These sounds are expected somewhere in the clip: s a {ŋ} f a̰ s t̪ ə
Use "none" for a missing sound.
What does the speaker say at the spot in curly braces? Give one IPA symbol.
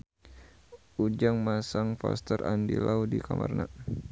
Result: ŋ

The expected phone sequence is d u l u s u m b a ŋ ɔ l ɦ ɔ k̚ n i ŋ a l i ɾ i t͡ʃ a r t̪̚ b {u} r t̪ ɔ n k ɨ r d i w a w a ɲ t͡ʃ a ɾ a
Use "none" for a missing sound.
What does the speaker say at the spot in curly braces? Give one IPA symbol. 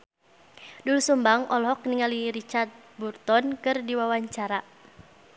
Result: u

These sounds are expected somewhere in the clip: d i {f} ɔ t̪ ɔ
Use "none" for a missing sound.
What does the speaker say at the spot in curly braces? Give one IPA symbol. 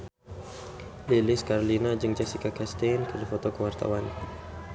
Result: f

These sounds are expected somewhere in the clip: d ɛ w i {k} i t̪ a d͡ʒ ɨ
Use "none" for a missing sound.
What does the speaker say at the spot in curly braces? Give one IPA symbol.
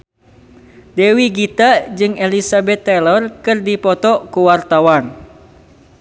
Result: ɡ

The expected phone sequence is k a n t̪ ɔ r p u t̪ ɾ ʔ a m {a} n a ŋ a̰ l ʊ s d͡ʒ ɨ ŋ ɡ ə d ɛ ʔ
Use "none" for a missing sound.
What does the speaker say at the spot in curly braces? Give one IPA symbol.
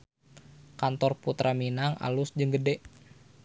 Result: i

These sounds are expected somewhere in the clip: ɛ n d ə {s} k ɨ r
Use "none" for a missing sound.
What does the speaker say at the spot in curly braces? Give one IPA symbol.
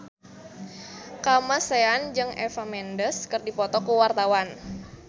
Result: s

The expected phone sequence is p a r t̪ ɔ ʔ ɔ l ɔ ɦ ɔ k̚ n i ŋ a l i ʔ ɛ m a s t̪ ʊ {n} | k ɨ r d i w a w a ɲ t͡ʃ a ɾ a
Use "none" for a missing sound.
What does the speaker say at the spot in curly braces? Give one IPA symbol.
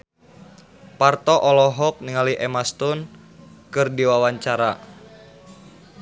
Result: n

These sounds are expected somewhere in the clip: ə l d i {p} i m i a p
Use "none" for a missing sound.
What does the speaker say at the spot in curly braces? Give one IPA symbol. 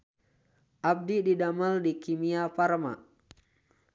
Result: k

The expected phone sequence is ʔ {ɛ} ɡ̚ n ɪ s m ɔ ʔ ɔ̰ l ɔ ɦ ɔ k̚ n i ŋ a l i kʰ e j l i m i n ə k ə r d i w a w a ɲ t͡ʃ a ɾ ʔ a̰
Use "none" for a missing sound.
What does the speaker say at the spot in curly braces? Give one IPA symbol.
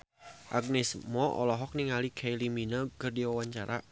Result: a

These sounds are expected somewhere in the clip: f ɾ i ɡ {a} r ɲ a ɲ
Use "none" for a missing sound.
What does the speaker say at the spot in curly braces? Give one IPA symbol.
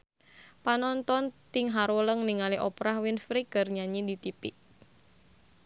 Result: ə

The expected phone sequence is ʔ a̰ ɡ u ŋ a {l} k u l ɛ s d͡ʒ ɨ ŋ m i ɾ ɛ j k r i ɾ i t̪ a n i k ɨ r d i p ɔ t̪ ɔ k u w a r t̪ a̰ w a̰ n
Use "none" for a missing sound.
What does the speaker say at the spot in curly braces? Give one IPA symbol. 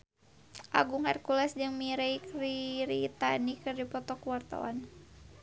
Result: r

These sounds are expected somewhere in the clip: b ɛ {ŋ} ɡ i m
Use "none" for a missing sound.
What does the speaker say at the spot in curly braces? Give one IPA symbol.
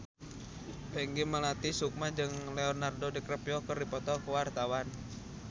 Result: ŋ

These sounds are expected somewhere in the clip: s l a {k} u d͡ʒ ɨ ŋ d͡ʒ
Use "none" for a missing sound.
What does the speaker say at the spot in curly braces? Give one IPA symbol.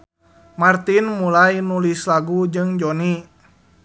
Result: ɡ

